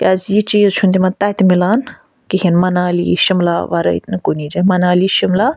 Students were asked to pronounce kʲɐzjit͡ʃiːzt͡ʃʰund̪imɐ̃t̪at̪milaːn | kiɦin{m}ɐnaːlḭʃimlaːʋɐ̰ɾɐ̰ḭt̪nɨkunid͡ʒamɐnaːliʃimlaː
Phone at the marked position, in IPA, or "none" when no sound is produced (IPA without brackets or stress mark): m